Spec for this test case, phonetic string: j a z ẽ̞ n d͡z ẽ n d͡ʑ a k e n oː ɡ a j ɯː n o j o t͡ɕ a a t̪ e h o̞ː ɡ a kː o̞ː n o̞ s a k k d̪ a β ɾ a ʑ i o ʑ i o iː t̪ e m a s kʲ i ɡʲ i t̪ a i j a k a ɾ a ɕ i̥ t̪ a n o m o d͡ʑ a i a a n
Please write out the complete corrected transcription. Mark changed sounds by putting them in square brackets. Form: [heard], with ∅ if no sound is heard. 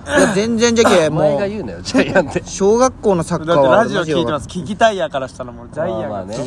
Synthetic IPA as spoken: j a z ẽ̞ n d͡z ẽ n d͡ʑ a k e [m] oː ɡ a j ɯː n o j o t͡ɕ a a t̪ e [ɕ] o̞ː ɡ a kː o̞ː n o̞ s a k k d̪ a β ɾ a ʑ i o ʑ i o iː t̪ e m a s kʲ i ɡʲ i t̪ a i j a k a ɾ a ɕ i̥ t̪ a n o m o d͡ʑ a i a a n